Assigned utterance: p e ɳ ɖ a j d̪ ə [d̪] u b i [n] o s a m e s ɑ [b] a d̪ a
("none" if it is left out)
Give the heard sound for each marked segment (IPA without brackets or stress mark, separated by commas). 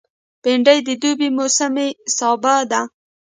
d̪, m, b